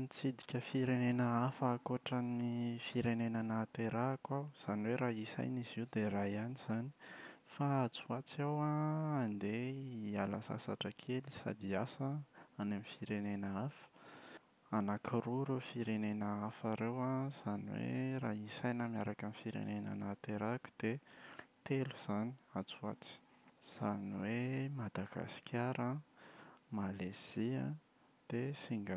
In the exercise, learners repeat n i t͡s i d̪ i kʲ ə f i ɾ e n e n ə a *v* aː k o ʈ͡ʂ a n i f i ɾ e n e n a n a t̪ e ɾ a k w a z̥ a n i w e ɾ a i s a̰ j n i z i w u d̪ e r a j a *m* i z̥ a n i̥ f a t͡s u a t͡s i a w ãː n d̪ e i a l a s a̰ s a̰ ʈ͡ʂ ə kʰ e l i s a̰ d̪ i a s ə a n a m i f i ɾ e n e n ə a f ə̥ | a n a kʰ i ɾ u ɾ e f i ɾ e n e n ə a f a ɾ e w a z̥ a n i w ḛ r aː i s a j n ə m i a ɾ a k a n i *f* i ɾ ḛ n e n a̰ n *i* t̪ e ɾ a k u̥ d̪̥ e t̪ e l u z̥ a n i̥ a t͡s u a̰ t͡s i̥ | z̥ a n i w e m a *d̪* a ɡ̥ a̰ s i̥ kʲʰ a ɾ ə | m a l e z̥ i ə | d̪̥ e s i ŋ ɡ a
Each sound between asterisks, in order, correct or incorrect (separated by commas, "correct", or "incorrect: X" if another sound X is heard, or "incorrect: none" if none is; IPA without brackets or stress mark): incorrect: f, incorrect: n, correct, incorrect: a, correct